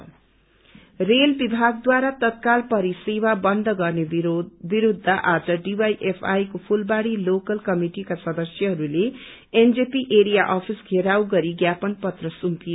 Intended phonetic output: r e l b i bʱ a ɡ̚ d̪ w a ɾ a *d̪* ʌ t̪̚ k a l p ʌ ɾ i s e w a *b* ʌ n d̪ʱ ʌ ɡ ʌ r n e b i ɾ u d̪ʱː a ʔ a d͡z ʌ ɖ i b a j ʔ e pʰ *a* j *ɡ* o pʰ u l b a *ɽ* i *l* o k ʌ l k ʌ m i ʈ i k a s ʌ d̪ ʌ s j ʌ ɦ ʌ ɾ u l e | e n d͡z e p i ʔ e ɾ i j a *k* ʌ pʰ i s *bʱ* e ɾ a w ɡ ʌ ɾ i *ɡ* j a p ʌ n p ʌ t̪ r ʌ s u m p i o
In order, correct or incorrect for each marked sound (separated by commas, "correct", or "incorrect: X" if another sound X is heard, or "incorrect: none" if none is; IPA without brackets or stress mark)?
incorrect: t̪, correct, correct, incorrect: k, correct, correct, incorrect: ʔ, incorrect: ɡʱ, correct